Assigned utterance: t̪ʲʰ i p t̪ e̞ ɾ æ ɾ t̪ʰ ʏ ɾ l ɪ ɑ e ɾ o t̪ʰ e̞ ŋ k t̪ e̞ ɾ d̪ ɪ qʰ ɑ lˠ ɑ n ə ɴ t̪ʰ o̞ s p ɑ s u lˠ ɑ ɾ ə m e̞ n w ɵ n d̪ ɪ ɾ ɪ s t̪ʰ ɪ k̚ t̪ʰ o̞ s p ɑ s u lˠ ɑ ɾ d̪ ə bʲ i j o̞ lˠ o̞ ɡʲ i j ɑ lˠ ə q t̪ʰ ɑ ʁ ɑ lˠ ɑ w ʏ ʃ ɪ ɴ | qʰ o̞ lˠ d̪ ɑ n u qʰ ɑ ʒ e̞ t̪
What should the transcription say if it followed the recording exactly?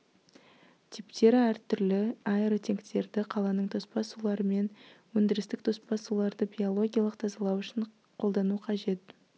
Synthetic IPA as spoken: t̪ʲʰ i p t̪ e̞ ɾ æ ɾ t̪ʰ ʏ ɾ l ɪ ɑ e ɾ o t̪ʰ e̞ ŋ k t̪ e̞ ɾ d̪ ɪ qʰ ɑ lˠ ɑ n ə ɴ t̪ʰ o̞ s p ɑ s u lˠ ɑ ɾ ə m e̞ n w ɵ n d̪ ɪ ɾ ɪ s t̪ ɪ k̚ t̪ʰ o̞ s p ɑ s u lˠ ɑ ɾ d̪ ə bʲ i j o̞ lˠ o̞ ɡʲ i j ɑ lˠ ə q t̪ʰ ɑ z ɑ lˠ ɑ w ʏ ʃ ɪ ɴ | qʰ o̞ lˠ d̪ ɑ n u qʰ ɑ ʒ e̞ t̪